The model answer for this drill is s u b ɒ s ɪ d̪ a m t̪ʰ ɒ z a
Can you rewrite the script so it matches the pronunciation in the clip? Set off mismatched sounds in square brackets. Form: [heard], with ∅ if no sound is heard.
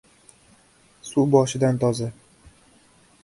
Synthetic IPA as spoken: s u b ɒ [ʃ] ɪ d̪ a [n] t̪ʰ ɒ z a